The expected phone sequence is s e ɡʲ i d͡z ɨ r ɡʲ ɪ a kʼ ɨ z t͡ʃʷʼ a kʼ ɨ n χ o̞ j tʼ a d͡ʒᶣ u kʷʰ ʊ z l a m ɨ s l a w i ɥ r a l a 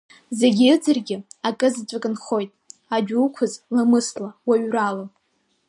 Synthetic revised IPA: z e ɡʲ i d͡z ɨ r ɡʲ ɪ a kʼ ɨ z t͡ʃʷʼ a kʼ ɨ n χ o̞ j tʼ a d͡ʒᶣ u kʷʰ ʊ z l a m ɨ s l a w a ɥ r a l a